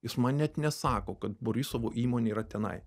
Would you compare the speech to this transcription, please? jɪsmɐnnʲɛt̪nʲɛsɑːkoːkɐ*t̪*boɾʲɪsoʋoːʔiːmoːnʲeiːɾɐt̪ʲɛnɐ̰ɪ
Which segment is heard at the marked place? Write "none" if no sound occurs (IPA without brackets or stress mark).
t̪